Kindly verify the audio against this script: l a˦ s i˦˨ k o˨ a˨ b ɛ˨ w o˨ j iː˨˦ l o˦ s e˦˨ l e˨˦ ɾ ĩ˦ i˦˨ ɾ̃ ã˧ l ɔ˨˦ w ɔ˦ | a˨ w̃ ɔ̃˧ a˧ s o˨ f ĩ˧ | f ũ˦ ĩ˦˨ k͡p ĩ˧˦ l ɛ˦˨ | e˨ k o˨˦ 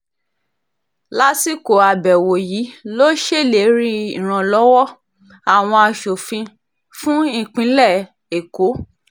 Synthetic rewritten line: l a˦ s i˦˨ k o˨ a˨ b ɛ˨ w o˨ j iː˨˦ l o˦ ʃ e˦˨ l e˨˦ ɾ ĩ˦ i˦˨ ɾ̃ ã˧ l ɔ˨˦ w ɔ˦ | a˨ w̃ ɔ̃˧ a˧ ʃ o˨ f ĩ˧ | f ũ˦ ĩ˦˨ k͡p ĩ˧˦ l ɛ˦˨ | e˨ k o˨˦